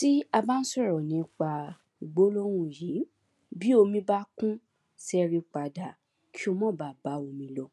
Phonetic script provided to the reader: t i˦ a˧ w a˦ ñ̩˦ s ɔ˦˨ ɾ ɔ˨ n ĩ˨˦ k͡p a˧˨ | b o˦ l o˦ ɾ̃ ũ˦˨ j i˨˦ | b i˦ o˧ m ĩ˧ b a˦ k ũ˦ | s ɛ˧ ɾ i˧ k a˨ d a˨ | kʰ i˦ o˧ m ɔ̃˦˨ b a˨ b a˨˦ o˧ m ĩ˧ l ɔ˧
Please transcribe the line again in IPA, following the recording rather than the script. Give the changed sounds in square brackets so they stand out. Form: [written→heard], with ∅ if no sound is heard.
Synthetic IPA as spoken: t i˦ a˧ [w→b] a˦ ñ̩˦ s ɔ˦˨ ɾ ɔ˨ n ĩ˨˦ k͡p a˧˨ | [b→ɡ͡b] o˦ l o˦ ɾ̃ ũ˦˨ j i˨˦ | b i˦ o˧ m ĩ˧ b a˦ k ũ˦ | s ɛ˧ ɾ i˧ [k→k͡p] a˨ d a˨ | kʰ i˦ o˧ m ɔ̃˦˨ b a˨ b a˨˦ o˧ m ĩ˧ l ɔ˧